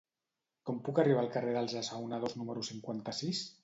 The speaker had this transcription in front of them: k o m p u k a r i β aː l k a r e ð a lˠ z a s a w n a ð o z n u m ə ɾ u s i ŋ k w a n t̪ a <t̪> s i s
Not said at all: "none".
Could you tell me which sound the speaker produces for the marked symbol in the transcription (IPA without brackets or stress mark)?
none